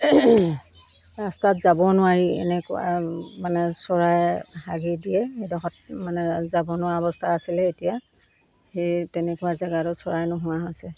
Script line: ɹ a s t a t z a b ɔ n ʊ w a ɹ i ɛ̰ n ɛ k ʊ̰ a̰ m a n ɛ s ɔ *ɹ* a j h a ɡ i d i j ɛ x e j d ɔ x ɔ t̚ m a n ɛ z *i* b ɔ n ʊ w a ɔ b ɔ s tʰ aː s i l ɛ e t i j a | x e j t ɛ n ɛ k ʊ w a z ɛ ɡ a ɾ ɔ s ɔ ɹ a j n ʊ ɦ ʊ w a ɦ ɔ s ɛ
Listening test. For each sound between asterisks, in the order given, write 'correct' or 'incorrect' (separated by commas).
correct, incorrect